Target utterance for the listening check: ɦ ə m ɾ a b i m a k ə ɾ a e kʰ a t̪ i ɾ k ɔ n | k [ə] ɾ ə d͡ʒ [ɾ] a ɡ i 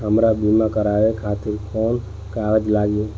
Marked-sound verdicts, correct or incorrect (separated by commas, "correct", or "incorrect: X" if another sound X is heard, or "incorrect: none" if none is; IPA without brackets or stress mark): incorrect: a, incorrect: l